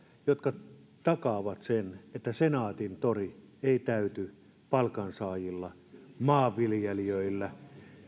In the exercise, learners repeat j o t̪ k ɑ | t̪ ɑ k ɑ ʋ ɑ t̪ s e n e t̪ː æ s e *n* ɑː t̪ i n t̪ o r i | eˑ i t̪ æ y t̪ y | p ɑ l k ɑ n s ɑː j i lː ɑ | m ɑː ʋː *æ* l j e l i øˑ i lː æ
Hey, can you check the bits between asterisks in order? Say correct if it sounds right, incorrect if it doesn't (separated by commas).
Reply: correct, incorrect